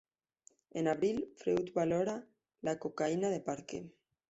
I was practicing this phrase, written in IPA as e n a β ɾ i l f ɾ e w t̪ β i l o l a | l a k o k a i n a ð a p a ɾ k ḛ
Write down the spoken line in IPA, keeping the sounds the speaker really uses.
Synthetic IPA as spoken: e n a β ɾ i l f ɾ e w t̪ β a l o ɾ a | l a k o k a i n a ð e p a ɾ k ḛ